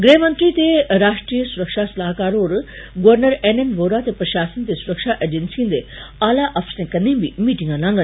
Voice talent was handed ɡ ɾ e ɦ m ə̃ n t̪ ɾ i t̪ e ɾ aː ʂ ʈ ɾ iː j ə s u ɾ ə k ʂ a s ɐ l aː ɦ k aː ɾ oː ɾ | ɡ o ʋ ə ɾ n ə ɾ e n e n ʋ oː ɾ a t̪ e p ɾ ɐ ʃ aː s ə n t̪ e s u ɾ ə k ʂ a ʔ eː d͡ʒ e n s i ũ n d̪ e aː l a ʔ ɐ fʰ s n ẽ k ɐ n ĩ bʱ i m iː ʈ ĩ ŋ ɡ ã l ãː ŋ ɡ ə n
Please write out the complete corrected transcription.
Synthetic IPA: ɡ ɾ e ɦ m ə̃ n t̪ ɾ i t̪ e ɾ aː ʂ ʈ ɾ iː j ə s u ɾ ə k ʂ a s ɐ l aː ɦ k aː ɾ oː ɾ | ɡ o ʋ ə ɾ n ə ɾ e n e n ʋ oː ɾ a t̪ e p ɾ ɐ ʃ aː s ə n t̪ e s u ɾ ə k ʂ a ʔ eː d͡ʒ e n s i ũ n d̪ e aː l a ʔ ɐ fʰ s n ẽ k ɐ n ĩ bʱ i m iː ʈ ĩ ŋ ɡ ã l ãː ŋ ɡ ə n